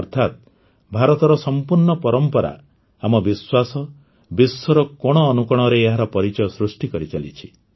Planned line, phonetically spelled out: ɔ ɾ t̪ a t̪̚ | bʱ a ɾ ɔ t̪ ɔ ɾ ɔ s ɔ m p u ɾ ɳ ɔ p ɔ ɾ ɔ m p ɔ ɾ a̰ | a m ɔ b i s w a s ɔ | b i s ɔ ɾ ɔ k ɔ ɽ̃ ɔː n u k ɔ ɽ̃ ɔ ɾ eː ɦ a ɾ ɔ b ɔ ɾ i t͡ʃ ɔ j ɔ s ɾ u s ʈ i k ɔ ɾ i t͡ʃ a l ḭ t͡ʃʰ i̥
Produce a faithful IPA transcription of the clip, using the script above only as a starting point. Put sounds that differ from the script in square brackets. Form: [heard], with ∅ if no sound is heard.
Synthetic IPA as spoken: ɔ ɾ [t̪ʰ] a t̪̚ | bʱ a ɾ ɔ t̪ ɔ ɾ ɔ s ɔ m p u ɾ ɳ ɔ p ɔ ɾ ɔ m p ɔ ɾ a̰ | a m ɔ b i s w a s ɔ | b i s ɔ ɾ ɔ k ɔ ɽ̃ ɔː n u k ɔ ɽ̃ ɔ ɾ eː ɦ a ɾ ɔ [p] ɔ ɾ i t͡ʃ ɔ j ɔ s ɾ u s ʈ i k ɔ ɾ i t͡ʃ a l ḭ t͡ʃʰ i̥